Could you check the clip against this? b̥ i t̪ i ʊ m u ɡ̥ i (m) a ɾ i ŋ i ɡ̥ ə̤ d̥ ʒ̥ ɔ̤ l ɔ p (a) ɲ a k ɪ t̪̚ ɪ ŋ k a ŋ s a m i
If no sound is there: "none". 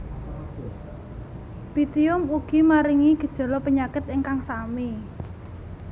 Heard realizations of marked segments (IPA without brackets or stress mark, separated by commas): m, ə